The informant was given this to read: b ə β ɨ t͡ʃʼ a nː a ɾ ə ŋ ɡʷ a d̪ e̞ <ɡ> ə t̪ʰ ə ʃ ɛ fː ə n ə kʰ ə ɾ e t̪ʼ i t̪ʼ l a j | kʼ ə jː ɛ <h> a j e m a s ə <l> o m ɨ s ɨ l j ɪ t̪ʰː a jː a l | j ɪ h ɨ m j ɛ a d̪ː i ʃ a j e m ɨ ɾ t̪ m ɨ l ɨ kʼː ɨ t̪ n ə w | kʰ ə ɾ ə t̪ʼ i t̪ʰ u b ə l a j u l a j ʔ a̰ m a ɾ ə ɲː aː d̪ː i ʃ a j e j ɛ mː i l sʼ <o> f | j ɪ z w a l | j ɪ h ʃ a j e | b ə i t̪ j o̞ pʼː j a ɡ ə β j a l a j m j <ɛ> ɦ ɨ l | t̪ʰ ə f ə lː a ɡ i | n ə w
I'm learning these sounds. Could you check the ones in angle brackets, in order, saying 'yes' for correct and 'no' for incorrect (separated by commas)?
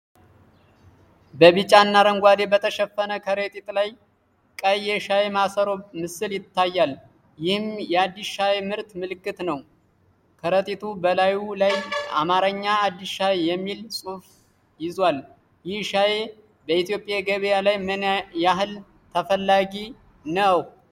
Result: no, no, no, no, no